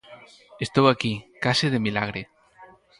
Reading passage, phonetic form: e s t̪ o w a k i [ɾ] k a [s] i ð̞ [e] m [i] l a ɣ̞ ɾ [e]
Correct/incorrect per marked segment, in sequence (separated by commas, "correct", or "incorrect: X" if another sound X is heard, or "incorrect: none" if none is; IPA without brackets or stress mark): incorrect: none, correct, correct, correct, correct